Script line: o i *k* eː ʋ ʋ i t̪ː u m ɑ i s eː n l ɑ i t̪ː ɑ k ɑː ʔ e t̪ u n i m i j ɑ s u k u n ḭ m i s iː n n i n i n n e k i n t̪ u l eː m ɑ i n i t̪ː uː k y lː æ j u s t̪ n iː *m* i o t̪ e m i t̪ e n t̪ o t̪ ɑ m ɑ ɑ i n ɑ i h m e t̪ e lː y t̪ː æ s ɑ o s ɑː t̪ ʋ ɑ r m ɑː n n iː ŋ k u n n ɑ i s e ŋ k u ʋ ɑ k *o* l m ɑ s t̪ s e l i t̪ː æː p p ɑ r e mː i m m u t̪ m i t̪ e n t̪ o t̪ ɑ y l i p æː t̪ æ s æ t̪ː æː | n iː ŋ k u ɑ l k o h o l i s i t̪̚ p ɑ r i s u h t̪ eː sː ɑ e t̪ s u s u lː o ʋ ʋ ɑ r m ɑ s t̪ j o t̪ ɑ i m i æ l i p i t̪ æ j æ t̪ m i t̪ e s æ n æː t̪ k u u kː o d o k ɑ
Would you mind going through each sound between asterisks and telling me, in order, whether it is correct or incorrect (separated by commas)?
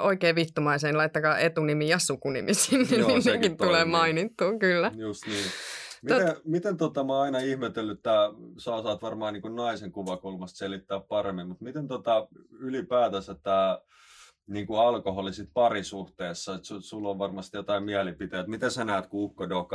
correct, correct, incorrect